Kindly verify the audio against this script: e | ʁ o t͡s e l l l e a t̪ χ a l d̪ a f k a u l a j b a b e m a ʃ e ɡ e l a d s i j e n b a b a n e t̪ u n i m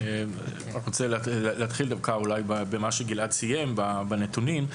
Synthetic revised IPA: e | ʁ o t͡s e l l l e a t̪ χ i l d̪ a v k a u l a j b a b e m a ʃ e ɡ i l a d s i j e m b a b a n e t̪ u n i m

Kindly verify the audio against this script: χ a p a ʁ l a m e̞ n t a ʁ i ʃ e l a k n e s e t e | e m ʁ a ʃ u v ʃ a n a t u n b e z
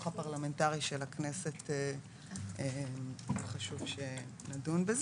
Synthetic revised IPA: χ a p a ʁ l a m e̞ n t a ʁ i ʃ e l a k n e s e t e | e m χ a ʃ u v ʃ e n a d u n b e z

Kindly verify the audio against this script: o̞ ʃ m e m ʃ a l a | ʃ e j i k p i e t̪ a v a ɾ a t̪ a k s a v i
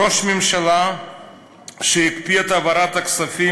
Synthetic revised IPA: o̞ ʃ m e m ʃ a l a | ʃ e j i k p i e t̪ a v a ɾ a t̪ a k s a f i

